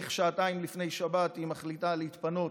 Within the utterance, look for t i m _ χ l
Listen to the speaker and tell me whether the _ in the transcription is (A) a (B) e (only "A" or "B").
A